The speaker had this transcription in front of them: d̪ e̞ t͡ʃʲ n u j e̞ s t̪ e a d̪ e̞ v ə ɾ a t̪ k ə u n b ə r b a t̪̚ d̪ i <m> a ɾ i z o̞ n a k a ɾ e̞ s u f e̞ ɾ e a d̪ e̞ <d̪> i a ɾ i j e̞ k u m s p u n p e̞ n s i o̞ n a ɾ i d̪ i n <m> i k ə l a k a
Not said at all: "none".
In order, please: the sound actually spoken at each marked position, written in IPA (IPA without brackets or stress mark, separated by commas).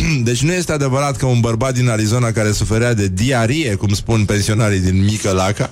n, d̪, m